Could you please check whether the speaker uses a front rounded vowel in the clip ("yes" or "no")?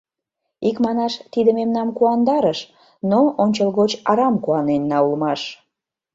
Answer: no